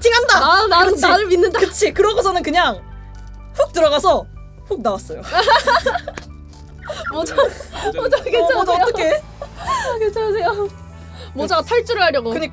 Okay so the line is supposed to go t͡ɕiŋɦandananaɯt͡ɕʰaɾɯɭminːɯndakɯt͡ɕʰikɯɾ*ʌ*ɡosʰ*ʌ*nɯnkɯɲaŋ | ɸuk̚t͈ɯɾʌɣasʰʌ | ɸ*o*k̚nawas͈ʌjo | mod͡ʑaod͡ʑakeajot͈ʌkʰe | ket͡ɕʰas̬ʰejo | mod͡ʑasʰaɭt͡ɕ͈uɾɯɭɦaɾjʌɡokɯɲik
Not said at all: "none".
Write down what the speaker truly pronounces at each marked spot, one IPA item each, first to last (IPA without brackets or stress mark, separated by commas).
ʌ, ʌ, u